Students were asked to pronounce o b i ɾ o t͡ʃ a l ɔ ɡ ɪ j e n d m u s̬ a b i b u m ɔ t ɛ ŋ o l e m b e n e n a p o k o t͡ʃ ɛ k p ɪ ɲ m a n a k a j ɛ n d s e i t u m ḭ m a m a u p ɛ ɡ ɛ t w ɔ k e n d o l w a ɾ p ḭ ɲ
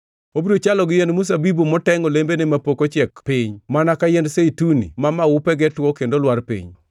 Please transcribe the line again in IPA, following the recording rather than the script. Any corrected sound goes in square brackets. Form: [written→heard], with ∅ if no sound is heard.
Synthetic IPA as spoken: o b i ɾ o t͡ʃ a l ɔ ɡ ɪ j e n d m u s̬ a b i b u m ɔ t ɛ ŋ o l e m b e n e [n→m] a p o k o t͡ʃ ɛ k p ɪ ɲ m a n a k a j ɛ n d s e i t u [m→n] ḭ m a m a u p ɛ ɡ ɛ t w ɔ k e n d o l w a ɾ p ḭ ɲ